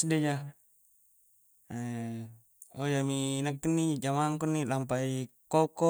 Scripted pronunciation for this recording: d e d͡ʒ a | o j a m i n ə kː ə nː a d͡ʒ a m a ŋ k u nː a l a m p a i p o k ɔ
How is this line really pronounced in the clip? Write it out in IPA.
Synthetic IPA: d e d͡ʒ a | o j a m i n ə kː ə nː i d͡ʒ a m a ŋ k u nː i l a m p a i k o k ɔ